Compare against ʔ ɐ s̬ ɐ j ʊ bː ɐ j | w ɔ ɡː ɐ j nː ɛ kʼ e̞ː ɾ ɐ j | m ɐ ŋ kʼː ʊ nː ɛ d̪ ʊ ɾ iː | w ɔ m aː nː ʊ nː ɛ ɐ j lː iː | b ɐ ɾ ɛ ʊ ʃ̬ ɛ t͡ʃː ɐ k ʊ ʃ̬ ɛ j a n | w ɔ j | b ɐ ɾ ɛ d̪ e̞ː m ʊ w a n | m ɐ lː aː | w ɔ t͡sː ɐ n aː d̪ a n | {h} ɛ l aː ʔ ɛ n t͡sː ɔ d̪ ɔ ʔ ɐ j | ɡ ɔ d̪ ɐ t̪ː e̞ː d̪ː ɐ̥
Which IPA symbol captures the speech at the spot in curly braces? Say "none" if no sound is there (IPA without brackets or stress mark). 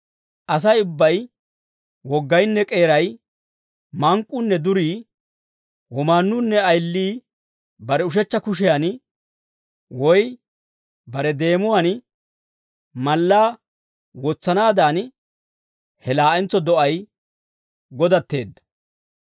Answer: h